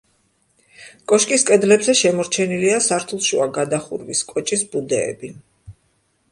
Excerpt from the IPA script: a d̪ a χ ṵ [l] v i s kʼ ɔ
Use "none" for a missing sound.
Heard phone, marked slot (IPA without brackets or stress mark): ɾ